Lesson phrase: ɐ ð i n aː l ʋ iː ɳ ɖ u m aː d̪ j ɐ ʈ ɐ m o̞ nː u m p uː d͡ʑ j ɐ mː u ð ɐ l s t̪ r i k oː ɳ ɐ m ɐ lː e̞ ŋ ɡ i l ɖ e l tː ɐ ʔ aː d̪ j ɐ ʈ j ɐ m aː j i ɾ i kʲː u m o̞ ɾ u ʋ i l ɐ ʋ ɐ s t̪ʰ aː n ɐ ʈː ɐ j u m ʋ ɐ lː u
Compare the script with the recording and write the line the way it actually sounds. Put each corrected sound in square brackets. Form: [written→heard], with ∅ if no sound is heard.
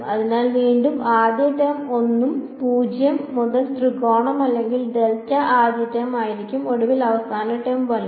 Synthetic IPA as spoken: ɐ ð i n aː l ʋ iː ɳ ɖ u m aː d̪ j ɐ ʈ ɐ m o̞ nː u m p uː d͡ʑ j ɐ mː u ð ɐ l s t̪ r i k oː ɳ ɐ m ɐ lː e̞ ŋ ɡ i l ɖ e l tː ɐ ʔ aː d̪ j ɐ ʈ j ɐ m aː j i ɾ i kʲː u m o̞ [ɾ→ɽ] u ʋ i l ɐ ʋ ɐ s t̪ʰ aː n ɐ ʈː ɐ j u m ʋ ɐ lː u